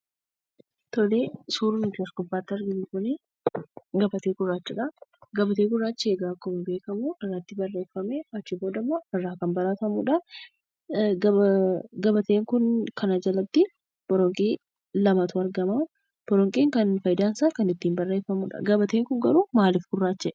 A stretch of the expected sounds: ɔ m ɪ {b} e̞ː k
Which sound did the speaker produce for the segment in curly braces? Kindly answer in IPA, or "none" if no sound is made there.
b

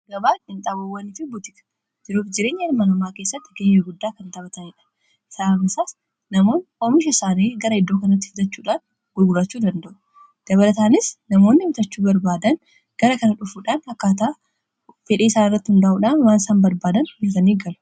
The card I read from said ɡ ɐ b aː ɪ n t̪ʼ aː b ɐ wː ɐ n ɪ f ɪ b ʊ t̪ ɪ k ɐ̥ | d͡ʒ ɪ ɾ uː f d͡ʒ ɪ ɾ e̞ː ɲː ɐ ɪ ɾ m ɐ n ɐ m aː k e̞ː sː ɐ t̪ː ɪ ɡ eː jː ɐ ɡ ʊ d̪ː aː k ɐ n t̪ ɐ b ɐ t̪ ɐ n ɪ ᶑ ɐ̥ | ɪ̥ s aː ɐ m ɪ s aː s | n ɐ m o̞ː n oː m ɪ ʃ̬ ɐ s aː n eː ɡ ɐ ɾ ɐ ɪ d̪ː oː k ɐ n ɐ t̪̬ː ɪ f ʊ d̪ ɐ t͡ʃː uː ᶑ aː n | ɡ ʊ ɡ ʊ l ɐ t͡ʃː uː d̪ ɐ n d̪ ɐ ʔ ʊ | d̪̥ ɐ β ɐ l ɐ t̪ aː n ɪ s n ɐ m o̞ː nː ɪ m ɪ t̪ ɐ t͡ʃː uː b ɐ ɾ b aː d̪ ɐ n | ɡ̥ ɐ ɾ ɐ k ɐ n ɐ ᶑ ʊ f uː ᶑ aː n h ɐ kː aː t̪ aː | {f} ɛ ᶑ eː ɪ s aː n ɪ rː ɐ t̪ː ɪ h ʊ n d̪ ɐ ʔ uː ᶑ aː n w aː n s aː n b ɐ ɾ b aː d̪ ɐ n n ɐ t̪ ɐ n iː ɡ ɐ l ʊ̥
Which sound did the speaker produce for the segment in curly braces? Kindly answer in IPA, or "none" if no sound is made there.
f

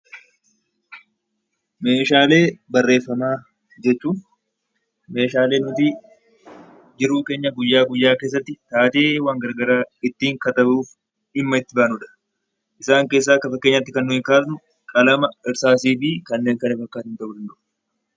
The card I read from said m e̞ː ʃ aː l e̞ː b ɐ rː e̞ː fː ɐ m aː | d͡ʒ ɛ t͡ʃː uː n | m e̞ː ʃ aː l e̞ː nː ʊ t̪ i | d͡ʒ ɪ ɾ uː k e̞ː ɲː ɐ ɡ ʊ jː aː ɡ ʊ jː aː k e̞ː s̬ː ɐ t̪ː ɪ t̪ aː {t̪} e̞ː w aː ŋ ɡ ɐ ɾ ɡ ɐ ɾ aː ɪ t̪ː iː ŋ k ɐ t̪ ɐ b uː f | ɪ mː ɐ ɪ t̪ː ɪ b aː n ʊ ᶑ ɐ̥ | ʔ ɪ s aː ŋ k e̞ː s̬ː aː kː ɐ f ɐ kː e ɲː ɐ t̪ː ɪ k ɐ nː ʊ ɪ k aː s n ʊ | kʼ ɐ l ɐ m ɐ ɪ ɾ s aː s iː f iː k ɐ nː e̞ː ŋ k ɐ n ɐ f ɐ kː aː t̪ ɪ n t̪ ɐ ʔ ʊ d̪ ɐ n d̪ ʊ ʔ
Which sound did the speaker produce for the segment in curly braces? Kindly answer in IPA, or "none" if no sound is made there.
t̪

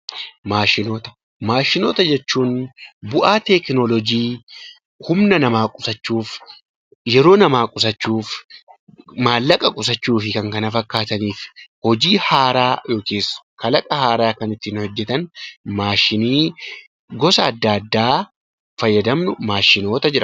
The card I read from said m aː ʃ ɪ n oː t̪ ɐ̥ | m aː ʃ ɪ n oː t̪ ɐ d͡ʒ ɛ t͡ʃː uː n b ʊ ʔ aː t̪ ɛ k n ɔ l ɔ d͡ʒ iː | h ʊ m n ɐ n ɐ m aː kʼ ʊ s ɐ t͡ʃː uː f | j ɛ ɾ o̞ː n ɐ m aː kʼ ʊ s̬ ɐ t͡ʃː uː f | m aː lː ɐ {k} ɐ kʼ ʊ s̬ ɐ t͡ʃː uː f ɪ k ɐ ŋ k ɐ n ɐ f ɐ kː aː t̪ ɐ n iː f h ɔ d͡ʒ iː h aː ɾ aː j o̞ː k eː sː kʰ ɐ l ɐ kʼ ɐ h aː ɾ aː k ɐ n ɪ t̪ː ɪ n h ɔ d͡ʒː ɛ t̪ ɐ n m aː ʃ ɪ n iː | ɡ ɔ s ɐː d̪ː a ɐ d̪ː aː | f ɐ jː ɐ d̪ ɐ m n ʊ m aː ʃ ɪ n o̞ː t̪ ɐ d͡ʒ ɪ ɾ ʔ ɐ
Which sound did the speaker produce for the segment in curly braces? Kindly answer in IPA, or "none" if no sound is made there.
kʼ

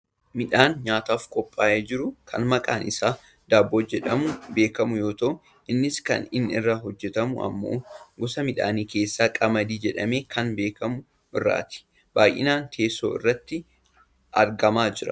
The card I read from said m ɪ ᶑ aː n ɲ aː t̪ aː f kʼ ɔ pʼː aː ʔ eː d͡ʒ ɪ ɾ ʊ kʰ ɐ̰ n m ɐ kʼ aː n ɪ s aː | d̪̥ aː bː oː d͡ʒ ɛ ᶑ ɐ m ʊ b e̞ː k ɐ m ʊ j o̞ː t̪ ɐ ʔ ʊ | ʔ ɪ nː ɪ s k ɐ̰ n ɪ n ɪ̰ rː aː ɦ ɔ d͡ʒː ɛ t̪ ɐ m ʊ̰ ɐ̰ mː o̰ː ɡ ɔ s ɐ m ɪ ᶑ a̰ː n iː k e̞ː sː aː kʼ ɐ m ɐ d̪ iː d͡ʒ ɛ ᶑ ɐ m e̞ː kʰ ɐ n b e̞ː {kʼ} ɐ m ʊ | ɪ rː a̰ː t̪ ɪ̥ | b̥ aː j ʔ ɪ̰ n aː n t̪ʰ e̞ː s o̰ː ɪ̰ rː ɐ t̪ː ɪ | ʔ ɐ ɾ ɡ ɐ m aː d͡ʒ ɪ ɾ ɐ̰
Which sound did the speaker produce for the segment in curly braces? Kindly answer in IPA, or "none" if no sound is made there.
k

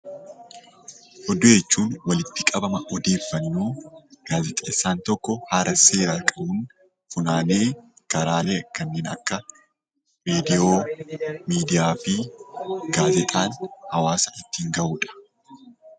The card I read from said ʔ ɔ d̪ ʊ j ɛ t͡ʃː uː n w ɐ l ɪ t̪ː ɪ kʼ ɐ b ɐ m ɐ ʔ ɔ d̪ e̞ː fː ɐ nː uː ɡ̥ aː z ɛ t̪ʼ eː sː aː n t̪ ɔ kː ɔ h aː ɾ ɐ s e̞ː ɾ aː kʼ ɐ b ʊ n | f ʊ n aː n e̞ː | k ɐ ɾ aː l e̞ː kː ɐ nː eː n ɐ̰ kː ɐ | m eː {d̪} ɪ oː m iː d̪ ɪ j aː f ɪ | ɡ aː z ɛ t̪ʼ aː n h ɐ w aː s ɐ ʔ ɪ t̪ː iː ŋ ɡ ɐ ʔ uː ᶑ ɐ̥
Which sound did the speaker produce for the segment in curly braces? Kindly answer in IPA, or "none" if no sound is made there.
d̪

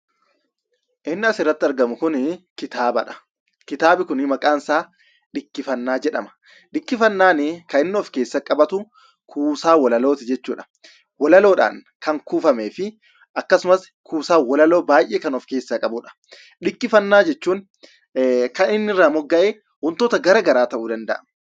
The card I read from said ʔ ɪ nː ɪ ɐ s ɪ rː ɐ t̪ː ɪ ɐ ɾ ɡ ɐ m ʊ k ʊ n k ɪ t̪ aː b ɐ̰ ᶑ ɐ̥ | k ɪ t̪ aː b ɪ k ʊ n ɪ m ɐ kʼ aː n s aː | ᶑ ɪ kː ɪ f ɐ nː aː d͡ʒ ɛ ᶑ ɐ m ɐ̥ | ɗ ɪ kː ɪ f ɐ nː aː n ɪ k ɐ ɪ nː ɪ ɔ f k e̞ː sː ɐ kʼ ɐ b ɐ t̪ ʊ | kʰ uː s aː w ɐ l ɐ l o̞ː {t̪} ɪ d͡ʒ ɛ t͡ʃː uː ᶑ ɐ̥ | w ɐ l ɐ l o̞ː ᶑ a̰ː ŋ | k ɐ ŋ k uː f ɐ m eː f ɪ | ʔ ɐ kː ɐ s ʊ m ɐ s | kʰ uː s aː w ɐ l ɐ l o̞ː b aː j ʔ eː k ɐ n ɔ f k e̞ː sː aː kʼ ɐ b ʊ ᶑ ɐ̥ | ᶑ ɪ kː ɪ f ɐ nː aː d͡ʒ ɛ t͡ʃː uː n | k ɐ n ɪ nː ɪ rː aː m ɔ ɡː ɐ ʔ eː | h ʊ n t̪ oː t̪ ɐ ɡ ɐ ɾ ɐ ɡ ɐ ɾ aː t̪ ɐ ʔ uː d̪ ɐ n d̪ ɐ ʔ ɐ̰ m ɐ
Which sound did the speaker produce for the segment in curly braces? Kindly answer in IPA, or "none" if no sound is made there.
t̪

